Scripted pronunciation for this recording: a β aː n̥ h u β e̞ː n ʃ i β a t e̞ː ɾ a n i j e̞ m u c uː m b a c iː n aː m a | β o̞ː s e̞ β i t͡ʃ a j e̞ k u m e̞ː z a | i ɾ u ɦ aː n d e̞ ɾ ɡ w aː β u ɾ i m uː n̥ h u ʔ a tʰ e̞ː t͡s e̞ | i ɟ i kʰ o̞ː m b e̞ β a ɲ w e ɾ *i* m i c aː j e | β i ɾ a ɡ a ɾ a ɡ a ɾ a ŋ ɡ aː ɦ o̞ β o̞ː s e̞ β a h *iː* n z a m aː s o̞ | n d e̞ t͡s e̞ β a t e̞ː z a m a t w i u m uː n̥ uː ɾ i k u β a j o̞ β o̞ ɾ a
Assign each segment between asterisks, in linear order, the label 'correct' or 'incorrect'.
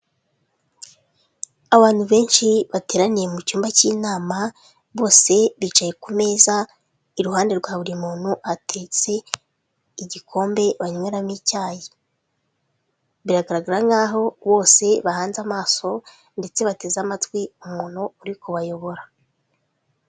incorrect, incorrect

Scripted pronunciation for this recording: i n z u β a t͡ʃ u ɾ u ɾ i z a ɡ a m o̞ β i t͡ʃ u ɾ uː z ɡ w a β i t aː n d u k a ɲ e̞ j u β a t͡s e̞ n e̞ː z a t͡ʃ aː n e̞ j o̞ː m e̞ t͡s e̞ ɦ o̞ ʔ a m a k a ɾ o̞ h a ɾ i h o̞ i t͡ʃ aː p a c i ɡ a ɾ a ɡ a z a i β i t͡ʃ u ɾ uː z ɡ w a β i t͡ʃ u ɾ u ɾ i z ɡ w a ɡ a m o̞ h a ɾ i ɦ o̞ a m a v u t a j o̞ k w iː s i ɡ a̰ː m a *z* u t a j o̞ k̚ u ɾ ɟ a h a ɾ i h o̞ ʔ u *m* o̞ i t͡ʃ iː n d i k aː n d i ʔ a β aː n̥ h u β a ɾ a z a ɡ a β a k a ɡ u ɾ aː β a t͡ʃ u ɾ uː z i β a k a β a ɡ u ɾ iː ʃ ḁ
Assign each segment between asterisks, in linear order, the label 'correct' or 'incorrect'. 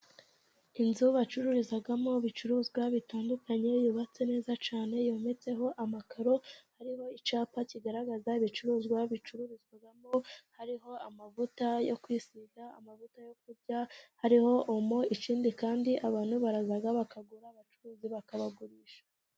incorrect, correct

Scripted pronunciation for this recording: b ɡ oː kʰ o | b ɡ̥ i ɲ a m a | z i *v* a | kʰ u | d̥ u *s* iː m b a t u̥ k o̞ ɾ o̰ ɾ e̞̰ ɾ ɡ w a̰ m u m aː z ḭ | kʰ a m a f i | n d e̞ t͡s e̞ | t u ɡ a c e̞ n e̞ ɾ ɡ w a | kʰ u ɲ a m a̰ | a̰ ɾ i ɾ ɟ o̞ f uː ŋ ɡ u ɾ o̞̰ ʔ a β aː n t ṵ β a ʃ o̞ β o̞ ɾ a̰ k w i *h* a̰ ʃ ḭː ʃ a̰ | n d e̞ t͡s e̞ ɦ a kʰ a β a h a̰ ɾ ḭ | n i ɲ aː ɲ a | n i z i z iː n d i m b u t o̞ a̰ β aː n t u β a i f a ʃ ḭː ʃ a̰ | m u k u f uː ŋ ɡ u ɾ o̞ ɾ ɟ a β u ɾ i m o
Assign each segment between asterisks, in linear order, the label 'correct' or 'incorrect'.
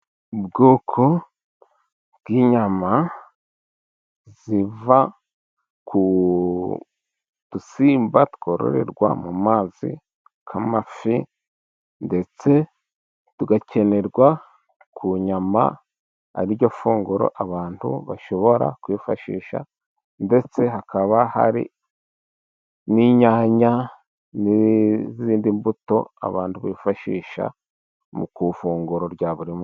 correct, correct, incorrect

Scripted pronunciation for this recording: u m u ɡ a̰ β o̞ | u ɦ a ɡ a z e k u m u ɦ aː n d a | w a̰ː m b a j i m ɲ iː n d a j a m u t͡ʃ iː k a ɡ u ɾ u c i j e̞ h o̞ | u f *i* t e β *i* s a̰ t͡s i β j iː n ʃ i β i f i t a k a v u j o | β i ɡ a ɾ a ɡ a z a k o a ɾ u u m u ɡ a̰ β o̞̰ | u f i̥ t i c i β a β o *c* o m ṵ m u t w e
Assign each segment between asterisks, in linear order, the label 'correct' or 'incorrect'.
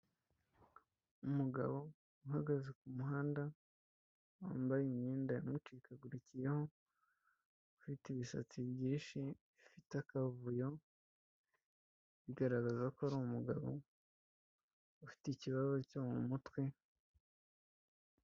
correct, correct, correct

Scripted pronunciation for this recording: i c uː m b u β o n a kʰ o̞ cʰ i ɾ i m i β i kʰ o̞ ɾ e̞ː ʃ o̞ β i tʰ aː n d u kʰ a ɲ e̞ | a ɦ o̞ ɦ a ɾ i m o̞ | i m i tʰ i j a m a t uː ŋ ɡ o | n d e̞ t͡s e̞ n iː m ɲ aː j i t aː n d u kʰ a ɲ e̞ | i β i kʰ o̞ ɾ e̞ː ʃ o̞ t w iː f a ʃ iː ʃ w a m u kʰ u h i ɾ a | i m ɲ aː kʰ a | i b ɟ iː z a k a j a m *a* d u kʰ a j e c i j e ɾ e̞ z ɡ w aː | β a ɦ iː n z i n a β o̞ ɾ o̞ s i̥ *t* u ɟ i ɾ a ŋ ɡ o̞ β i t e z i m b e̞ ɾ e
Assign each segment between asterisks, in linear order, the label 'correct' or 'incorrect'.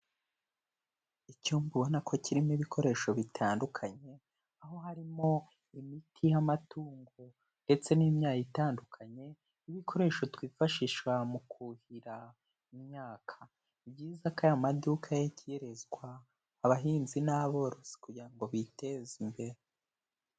correct, incorrect

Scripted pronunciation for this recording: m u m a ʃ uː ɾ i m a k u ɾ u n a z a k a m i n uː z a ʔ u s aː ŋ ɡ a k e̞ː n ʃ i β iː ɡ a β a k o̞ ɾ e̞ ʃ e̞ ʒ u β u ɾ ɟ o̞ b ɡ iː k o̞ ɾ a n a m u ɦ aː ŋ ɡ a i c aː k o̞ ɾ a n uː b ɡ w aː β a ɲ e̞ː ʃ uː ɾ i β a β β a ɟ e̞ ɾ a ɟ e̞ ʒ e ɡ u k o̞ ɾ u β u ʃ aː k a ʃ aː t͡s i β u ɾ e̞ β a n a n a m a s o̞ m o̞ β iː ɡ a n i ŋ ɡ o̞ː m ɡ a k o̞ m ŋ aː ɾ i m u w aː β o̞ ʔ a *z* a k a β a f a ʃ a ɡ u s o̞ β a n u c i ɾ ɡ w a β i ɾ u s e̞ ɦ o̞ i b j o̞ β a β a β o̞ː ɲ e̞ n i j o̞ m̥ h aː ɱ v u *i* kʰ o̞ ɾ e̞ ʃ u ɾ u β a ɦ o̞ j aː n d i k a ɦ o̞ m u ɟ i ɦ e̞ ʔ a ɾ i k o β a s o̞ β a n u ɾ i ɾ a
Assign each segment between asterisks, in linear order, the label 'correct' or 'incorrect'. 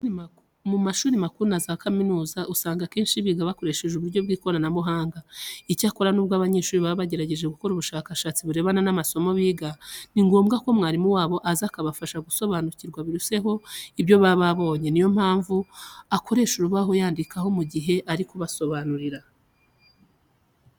correct, incorrect

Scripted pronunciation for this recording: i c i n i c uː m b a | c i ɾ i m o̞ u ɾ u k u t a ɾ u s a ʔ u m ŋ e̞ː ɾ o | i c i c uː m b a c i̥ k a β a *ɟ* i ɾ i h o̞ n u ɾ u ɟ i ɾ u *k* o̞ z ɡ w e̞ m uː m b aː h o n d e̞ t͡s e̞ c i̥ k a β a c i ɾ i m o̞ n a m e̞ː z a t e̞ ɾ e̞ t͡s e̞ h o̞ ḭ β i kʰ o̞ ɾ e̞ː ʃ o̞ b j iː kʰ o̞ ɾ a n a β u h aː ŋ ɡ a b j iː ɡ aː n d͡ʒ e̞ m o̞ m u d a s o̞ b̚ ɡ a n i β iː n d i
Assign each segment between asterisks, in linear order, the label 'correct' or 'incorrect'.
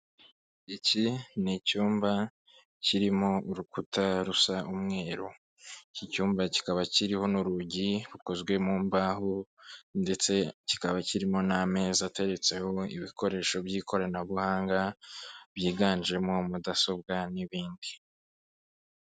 incorrect, correct

